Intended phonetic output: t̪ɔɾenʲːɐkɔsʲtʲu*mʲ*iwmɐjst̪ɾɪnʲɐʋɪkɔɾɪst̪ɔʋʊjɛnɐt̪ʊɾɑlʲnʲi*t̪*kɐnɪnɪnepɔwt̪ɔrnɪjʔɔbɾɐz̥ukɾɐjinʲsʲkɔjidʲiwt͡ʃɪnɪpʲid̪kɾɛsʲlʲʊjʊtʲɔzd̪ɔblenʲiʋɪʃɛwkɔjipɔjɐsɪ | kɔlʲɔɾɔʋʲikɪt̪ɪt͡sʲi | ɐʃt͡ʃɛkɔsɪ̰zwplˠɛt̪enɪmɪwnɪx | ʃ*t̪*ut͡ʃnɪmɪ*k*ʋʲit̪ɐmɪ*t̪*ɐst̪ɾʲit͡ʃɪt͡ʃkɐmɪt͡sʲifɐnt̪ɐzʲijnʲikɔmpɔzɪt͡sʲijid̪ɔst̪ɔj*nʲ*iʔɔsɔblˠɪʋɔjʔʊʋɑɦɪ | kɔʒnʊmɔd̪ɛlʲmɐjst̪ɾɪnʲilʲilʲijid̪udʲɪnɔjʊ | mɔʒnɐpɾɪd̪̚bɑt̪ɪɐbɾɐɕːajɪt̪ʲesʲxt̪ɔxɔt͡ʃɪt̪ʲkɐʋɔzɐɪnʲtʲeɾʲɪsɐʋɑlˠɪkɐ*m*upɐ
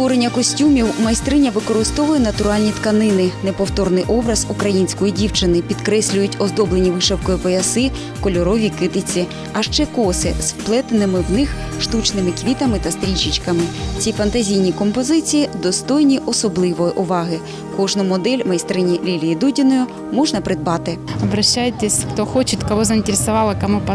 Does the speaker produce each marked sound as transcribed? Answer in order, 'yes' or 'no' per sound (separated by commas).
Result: yes, yes, yes, yes, yes, yes, yes